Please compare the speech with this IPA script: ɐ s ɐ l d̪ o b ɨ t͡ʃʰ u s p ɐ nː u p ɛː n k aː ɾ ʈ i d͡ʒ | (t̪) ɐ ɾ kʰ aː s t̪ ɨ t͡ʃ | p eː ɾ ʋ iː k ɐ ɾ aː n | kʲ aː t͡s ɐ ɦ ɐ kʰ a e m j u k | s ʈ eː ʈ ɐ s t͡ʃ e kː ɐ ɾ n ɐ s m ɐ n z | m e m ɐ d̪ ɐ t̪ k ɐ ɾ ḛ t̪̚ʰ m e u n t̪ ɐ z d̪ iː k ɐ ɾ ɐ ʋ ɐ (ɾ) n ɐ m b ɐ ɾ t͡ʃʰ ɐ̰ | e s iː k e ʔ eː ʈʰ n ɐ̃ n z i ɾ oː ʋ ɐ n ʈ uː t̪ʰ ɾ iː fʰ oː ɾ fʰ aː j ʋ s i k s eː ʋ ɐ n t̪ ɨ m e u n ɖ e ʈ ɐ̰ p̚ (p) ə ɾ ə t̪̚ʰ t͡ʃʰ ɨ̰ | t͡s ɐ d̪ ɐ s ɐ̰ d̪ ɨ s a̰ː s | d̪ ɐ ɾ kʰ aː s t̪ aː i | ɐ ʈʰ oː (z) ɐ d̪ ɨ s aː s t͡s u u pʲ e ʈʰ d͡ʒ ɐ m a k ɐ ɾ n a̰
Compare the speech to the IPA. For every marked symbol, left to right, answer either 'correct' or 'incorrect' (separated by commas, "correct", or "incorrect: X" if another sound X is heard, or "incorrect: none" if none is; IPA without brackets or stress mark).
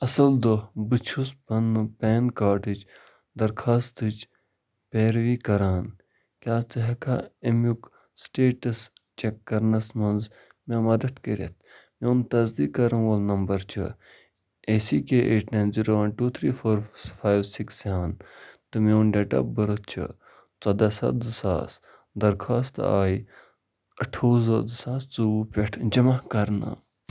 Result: incorrect: d̪, incorrect: l, incorrect: b, correct